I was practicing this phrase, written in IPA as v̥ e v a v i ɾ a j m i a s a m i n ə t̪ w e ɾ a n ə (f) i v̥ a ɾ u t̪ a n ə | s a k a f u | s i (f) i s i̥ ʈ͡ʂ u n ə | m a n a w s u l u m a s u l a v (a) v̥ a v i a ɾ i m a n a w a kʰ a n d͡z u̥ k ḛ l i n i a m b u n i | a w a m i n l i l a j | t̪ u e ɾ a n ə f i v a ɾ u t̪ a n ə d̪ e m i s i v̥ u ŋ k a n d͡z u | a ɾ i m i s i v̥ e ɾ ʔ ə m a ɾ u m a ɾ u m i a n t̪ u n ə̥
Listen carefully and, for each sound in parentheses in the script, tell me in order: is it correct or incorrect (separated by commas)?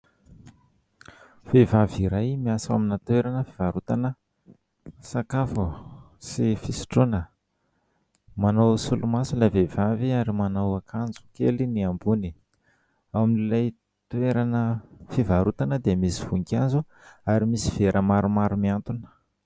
correct, correct, incorrect